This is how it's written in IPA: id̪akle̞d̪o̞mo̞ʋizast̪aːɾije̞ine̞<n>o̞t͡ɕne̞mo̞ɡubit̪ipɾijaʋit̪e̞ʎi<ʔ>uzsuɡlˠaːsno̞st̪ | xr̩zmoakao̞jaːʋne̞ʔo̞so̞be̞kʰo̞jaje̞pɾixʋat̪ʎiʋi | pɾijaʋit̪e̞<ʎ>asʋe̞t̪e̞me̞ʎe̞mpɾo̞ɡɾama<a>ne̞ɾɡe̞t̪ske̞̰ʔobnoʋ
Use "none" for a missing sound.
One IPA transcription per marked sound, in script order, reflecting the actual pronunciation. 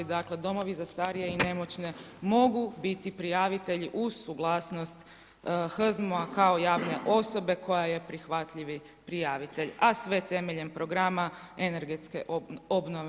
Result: m, ʔ, ʎ, e

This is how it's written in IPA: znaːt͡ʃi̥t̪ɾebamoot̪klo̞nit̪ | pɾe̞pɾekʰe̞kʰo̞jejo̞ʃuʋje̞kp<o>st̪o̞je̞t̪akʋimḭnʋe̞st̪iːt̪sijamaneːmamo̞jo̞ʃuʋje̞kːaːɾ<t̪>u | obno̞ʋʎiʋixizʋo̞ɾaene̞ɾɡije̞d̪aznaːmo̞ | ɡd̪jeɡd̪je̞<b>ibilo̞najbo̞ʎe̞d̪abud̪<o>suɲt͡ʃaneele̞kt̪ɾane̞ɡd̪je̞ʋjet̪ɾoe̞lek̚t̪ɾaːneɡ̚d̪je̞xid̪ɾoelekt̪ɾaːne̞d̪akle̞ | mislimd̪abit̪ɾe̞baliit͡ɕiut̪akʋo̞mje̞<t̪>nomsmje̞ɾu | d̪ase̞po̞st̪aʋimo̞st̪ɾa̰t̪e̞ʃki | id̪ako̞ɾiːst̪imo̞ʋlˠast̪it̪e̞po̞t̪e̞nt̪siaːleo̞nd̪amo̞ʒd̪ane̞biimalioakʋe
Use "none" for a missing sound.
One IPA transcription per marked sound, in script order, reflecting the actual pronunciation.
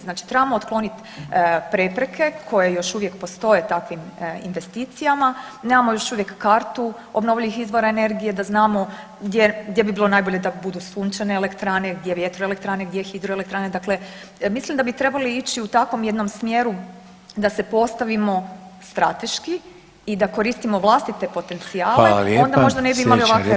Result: o, t̪, b, u, d̪

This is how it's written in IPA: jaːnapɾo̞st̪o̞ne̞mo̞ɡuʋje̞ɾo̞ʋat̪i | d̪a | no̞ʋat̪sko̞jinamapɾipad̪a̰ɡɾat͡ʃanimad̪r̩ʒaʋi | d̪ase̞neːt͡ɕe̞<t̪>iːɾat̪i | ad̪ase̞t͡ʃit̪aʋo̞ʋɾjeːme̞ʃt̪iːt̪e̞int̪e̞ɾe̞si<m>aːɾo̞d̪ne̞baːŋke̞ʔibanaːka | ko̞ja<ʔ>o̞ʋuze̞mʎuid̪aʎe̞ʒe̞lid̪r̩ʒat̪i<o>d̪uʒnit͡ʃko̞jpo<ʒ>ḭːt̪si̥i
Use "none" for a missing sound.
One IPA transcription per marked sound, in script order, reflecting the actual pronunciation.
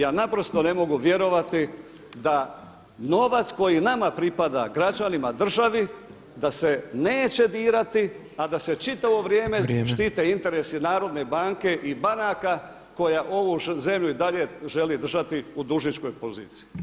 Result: d̪, n, ʔ, u, z

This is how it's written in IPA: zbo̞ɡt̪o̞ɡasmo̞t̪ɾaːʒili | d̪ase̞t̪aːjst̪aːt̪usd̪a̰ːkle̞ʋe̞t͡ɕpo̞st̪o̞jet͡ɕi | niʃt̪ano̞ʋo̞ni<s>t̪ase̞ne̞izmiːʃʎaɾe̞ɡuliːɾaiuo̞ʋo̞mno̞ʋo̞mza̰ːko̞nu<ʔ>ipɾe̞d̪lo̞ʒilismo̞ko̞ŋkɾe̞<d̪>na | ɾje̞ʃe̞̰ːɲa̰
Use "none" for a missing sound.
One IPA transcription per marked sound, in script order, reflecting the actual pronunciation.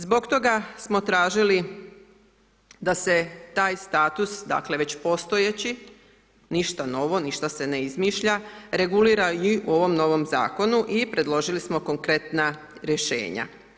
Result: ʃ, ʔ, t̪

